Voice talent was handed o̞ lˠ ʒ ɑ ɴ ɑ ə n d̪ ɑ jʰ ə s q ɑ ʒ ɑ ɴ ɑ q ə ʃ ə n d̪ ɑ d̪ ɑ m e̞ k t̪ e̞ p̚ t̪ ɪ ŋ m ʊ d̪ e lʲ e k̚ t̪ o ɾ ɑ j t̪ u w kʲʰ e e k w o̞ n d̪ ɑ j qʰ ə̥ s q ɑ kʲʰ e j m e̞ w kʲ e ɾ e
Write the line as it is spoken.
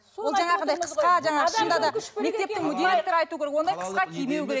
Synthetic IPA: o̞ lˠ ʒ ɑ ɴ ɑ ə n d̪ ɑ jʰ ə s q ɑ ʒ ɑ ɴ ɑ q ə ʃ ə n d̪ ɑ d̪ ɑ m e̞ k t̪ e̞ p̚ t̪ ɪ ŋ m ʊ d̪ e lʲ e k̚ t̪ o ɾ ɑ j t̪ u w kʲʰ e e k w o̞ n d̪ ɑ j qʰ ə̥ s q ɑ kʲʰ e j m e̞ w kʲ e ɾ e